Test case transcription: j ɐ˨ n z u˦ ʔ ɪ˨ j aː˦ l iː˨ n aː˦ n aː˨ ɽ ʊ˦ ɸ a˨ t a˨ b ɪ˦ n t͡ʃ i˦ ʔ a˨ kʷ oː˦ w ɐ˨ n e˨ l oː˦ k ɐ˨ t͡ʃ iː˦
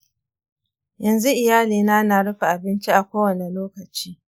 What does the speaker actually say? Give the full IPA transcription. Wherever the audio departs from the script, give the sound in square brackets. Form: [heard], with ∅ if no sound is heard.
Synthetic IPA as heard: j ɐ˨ n z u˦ ʔ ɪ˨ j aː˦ l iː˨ n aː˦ n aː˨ ɽ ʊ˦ ɸ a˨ [ʔ] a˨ b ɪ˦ n t͡ʃ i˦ ʔ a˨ kʷ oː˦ w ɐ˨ n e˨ l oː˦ k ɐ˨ t͡ʃ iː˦